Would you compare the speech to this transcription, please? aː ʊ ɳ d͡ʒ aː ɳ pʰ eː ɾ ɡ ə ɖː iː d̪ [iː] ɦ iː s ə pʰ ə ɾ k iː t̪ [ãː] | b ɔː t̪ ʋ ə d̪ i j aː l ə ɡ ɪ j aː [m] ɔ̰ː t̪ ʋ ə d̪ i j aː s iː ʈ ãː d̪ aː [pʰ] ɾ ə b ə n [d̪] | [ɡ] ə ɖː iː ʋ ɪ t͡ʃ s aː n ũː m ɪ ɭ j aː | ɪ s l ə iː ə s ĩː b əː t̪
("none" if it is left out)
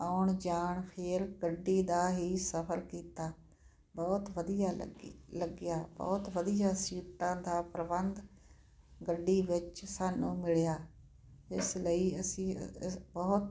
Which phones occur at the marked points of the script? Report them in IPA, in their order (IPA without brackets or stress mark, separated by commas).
aː, aː, b, p, d̪, ɡ